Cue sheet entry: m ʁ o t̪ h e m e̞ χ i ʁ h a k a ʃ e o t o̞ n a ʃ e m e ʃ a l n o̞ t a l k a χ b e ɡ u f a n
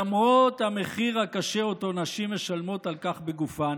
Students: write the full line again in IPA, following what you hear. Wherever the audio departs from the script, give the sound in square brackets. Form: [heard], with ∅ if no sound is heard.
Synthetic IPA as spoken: m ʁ o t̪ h [a] m e̞ χ i ʁ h a k a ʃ e o t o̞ n a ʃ [i] m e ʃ a l [m] o̞ t a l k a χ b e ɡ u f a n